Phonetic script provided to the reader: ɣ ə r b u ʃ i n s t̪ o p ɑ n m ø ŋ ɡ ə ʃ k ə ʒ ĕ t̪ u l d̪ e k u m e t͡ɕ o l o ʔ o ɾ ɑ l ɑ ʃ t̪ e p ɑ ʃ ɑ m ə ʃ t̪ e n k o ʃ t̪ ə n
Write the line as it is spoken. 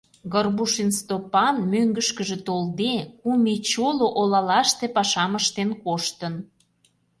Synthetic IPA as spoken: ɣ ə r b u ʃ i n s t̪ o p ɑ n m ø ŋ ɡ ə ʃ k ə ʒ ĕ t̪ o l d̪ e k u m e t͡ɕ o l o ʔ o l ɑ l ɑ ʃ t̪ e p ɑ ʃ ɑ m ə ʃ t̪ e n k o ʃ t̪ ə n